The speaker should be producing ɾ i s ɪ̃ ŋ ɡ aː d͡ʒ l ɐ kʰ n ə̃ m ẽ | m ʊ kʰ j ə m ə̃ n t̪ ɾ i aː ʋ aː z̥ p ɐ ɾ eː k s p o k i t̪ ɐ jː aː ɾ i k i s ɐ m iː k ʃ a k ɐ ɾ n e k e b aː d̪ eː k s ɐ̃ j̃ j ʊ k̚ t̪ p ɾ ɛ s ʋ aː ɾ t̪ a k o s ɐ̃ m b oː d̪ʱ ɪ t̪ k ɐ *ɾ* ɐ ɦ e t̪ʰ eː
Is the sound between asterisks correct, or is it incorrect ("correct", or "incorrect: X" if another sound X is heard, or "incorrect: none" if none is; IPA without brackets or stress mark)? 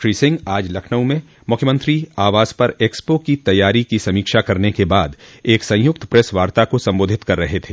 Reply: incorrect: ɾː